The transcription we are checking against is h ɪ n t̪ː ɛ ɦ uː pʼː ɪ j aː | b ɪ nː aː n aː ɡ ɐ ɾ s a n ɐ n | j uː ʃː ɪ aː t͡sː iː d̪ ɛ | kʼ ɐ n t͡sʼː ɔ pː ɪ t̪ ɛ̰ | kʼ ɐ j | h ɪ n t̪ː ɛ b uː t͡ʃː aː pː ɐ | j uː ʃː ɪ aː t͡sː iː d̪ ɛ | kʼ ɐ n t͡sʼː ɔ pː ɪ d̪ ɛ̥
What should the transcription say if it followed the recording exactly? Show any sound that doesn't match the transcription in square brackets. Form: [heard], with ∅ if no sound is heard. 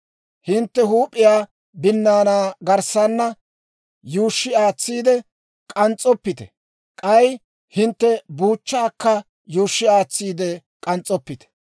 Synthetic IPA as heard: h ɪ n t̪ː ɛ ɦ uː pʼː ɪ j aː | b ɪ nː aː n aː ɡ ɐ ɾ s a [nː] ɐ [∅] | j uː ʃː ɪ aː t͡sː iː d̪ ɛ | kʼ ɐ n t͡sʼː ɔ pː ɪ t̪ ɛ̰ | kʼ ɐ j | h ɪ n t̪ː ɛ b uː t͡ʃː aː [kː] ɐ | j uː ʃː ɪ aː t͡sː iː d̪ ɛ | kʼ ɐ n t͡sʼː ɔ pː ɪ [t̪] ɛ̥